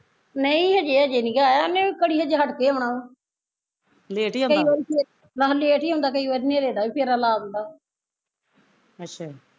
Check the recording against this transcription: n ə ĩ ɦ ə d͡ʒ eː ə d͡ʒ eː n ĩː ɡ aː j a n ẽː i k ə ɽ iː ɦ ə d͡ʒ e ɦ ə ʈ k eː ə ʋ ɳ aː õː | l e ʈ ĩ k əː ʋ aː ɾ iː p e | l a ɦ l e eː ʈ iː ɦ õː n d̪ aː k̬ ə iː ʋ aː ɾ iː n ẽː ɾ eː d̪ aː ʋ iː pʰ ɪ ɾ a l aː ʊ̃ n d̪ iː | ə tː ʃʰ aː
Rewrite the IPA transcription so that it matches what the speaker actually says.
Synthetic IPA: n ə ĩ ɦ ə d͡ʒ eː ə d͡ʒ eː n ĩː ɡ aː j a n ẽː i k ə ɽ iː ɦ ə d͡ʒ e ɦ ə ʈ k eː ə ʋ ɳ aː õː | l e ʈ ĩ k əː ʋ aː ɾ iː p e | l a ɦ l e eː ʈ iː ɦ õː n d̪ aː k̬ ə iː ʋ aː ɾ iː n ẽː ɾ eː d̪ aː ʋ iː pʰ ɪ ɾ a l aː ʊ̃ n d̪ aː | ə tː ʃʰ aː